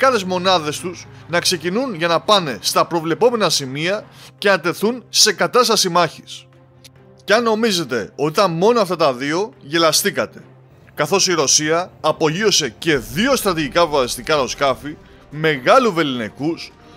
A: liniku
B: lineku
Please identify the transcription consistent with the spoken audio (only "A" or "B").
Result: B